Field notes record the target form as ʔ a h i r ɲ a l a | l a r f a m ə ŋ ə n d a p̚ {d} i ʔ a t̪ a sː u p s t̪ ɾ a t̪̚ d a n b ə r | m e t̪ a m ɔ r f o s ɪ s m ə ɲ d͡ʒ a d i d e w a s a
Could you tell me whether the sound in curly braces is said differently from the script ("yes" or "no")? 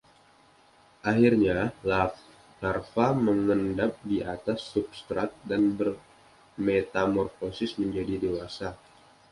no